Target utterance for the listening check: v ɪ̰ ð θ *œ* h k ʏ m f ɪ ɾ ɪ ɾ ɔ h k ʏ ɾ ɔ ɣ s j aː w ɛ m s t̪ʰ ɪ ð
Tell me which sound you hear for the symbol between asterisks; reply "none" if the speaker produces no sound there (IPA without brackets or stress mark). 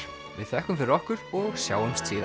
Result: ɛ